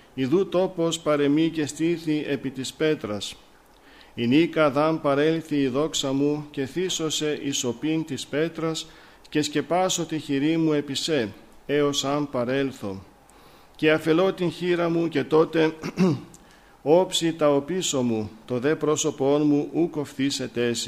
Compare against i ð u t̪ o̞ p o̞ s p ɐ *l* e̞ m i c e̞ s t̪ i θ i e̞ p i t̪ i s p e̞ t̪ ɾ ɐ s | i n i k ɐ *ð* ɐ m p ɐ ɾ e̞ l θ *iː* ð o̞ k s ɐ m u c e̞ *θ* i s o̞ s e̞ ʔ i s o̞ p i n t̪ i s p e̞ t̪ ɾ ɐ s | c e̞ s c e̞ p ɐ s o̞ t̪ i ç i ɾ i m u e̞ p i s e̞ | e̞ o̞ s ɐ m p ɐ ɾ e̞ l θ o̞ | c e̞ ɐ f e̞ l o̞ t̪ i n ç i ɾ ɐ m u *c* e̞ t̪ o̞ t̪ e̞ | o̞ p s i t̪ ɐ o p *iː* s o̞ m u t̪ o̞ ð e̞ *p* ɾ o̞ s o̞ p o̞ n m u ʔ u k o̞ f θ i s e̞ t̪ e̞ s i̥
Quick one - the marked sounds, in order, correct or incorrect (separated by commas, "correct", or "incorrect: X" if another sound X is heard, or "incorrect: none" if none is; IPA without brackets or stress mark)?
incorrect: ɾ, correct, correct, correct, correct, incorrect: i, correct